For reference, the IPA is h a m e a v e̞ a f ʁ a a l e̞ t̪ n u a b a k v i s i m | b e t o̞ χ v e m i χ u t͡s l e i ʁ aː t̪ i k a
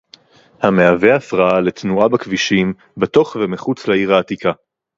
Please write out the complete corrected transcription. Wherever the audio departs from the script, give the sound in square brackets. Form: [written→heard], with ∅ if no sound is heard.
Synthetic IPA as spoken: h a m e a v e̞ a f ʁ a a l e̞ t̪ n u a b a k v i [s→ʃ] i m | b e t o̞ χ v e m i χ u t͡s l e i ʁ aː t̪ i k a